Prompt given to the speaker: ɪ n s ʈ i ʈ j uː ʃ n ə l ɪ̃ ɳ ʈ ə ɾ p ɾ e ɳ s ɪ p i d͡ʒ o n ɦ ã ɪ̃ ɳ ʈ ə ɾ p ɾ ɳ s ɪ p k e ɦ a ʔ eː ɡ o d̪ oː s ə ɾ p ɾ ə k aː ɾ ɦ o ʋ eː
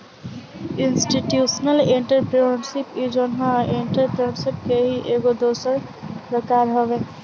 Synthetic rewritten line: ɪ n s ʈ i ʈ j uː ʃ n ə l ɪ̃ ɳ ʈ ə ɾ p ɾ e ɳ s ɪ p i d͡ʒ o n ɦ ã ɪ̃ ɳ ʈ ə ɾ p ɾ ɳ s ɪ p k e ɦ i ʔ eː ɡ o d̪ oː s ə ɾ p ɾ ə k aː ɾ ɦ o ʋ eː